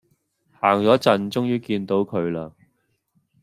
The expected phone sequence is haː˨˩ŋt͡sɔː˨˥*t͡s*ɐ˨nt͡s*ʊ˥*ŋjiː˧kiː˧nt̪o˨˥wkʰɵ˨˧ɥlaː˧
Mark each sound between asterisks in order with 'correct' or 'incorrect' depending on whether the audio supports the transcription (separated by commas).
correct, correct